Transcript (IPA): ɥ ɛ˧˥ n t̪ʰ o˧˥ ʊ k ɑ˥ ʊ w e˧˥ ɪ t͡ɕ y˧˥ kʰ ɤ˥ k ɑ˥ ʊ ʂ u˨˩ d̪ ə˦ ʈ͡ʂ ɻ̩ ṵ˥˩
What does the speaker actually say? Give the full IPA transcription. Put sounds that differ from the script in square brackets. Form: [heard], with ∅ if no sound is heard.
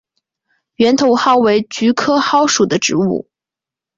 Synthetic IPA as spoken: ɥ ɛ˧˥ n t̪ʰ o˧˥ ʊ [x] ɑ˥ ʊ w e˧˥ ɪ t͡ɕ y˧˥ kʰ ɤ˥ [x] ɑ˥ ʊ ʂ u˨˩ d̪ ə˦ ʈ͡ʂ ɻ̩ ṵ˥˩